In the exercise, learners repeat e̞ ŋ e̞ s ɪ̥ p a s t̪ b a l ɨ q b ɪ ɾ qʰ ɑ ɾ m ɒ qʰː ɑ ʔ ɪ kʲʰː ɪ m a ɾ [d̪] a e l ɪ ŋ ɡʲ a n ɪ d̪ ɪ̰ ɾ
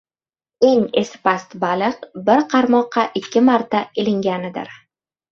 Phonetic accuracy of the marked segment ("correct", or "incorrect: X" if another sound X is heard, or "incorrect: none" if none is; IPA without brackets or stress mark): incorrect: t̪